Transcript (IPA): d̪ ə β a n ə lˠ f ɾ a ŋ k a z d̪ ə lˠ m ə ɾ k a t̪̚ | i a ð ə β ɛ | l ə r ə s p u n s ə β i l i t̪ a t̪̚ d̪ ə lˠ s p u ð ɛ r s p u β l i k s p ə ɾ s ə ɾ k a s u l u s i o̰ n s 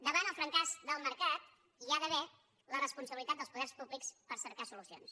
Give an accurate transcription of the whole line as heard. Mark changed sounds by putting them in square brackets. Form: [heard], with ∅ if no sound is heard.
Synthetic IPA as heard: d̪ ə β a n ə lˠ f ɾ [ə] ŋ k a z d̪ ə lˠ m ə ɾ k a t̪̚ | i a ð ə β ɛ | l ə r ə s p u n s ə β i l i t̪ a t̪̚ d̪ ə lˠ s p u ð ɛ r s p u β l i k s p ə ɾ s ə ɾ k a s u l u s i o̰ n s

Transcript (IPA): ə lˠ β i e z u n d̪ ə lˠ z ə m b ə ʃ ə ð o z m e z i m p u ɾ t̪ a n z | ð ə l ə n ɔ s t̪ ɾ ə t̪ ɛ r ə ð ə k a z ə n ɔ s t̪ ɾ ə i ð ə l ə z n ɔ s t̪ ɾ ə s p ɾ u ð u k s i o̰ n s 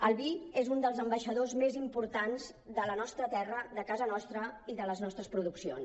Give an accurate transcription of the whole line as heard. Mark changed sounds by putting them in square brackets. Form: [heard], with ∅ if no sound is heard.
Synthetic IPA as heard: ə lˠ β i e z u n d̪ ə lˠ z ə m b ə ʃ ə ð o z m e z i m p u ɾ t̪ a n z | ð ə l ə n ɔ s t̪ ɾ ə t̪ ɛ r ə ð ə k a z ə n ɔ s t̪ ɾ ə i ð ə l ə z n ɔ s t̪ ɾ ə s p ɾ u ð u k s i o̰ n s

